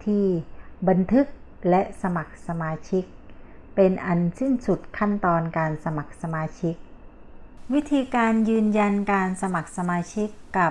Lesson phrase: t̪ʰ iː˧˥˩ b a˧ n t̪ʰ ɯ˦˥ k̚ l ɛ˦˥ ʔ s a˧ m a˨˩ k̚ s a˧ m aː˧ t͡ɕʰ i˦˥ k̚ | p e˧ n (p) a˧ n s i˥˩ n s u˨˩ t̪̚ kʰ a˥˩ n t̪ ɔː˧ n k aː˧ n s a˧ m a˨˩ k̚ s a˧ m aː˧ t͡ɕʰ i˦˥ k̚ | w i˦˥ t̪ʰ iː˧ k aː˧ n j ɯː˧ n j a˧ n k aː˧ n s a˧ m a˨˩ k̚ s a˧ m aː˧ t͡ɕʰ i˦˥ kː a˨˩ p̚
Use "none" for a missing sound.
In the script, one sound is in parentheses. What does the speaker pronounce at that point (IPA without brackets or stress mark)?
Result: ʔ